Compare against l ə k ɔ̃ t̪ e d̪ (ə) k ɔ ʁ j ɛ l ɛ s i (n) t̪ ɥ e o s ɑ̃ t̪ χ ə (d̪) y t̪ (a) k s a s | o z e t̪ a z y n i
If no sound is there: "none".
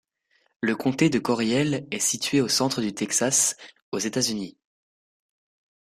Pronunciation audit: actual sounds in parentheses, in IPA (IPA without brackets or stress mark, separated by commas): ə, none, d̪, ɛ